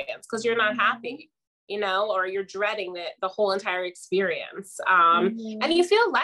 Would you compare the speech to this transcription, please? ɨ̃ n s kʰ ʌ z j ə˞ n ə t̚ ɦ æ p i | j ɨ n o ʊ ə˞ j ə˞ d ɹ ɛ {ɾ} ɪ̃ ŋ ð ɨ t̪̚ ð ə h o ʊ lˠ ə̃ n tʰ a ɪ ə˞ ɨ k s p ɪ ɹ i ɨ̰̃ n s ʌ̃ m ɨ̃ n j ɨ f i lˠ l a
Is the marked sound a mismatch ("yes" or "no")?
no